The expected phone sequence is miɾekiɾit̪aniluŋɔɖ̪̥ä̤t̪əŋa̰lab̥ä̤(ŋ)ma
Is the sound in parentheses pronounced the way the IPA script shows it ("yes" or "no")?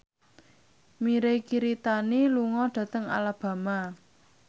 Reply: no